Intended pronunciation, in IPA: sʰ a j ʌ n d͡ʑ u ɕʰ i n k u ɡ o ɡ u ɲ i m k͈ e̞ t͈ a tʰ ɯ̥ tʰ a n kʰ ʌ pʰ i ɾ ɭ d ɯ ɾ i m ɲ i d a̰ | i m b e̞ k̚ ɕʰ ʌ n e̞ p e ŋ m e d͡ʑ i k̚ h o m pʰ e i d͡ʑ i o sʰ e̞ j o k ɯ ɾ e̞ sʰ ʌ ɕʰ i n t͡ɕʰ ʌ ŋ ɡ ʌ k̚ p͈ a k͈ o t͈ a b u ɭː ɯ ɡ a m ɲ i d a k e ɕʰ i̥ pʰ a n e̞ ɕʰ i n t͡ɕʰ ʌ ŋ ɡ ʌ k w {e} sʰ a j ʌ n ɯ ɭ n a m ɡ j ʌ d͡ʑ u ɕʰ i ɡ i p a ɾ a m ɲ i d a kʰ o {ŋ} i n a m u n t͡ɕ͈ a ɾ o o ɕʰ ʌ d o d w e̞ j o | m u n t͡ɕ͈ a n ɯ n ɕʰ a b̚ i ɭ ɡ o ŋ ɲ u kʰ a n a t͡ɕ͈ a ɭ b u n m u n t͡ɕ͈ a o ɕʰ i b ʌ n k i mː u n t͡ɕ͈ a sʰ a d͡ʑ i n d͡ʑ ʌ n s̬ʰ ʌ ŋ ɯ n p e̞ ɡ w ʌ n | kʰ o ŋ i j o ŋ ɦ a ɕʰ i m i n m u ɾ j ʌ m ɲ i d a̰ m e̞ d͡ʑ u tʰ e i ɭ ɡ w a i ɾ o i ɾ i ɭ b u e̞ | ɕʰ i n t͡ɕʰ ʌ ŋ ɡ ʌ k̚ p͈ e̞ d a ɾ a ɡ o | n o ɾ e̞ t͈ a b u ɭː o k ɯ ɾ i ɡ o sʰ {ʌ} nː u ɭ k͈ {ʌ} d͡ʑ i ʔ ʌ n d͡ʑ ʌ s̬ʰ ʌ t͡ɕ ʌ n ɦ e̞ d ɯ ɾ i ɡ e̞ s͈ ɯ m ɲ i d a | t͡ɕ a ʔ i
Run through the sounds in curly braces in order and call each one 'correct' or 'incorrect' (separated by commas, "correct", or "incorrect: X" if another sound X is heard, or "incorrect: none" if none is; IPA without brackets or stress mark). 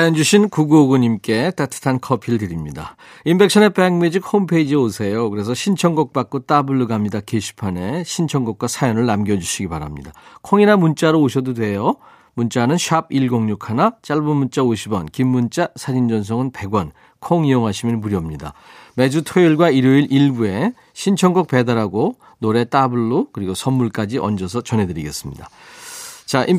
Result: incorrect: a, correct, correct, incorrect: a